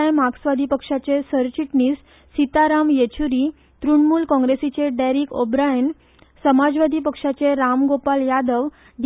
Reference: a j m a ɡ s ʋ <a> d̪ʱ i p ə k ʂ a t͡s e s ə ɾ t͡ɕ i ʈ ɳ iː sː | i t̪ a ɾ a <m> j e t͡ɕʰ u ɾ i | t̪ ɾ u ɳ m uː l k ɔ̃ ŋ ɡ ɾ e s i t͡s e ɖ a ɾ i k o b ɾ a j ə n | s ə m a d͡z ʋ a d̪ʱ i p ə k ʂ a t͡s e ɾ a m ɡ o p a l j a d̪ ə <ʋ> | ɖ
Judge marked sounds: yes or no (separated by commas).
yes, yes, yes